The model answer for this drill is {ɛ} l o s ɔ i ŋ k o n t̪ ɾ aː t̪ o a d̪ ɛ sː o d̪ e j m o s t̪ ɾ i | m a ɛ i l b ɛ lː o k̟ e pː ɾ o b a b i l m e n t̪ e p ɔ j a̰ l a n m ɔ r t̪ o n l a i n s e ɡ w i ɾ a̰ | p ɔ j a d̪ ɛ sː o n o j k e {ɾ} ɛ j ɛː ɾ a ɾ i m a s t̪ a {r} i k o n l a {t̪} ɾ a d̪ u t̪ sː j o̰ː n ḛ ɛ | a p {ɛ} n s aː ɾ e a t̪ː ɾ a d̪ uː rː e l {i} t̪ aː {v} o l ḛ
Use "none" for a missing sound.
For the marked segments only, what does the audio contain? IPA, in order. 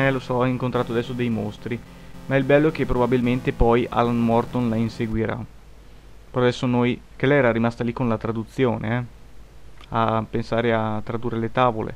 ɛ, l, l, t̪, e, e, v

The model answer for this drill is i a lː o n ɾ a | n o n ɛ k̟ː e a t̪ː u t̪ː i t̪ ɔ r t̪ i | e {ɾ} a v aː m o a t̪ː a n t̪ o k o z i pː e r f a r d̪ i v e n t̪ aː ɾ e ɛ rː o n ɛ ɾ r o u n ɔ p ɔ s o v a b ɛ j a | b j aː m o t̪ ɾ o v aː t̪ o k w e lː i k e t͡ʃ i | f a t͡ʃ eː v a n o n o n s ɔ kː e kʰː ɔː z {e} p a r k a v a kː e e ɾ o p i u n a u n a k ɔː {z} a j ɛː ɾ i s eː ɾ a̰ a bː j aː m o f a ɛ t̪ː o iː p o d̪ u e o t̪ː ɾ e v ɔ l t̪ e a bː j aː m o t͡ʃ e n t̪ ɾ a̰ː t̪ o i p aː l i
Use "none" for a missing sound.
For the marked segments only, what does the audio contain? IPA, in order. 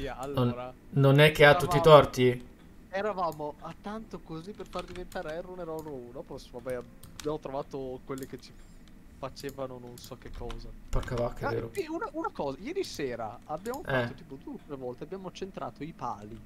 ɾ, a, z

